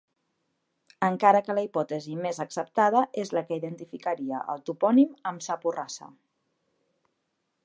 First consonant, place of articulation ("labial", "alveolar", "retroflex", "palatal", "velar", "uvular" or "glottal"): velar